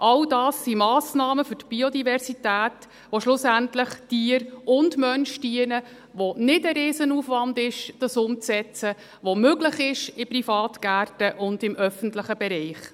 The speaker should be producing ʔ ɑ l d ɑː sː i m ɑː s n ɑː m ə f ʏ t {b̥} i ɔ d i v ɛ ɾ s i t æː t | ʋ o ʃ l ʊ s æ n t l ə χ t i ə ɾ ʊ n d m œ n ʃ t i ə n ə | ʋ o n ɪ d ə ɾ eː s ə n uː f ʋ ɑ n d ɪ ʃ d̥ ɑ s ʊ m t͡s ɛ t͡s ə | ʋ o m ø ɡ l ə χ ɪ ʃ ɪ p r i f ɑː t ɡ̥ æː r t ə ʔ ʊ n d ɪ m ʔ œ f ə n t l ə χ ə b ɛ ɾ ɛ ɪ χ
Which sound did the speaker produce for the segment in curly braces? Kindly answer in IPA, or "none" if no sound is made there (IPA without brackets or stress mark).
b̥